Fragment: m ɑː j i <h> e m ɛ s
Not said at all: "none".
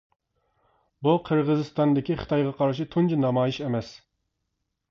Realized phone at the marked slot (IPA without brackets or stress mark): ʃ